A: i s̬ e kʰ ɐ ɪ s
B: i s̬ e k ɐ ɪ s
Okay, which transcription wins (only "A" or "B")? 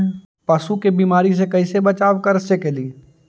B